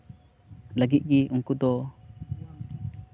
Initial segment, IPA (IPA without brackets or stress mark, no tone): l